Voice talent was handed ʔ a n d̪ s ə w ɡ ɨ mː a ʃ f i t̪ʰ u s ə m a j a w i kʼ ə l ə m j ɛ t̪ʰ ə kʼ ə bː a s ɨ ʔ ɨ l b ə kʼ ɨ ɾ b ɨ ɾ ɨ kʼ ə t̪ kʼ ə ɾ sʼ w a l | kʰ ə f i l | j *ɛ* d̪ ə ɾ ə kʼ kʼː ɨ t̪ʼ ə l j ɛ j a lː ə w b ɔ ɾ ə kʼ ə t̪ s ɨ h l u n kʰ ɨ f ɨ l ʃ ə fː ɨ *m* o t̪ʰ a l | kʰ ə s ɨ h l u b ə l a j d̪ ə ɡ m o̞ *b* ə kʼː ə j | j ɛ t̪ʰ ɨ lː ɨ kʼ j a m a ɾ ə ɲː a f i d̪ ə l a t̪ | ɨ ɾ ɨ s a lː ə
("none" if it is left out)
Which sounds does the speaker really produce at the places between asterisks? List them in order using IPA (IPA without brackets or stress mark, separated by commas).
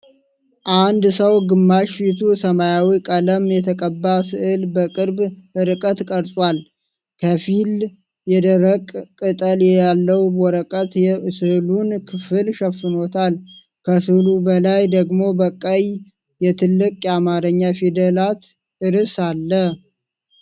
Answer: ɛ, n, b